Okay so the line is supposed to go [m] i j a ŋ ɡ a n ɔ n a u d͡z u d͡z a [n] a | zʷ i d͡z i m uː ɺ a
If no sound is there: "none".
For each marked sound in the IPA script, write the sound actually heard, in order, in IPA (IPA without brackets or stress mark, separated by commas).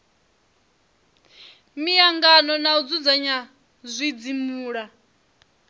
m, ɲ